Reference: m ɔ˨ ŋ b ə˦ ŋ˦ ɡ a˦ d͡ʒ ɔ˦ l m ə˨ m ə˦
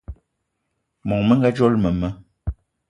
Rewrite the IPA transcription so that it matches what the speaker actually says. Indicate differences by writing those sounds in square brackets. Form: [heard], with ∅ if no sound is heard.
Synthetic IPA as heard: m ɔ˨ ŋ [m] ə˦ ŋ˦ ɡ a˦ d͡ʒ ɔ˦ l m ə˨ m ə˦